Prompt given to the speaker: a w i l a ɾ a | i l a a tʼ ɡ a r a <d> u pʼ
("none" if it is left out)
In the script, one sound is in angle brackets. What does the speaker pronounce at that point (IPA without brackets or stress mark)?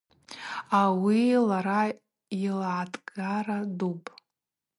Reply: d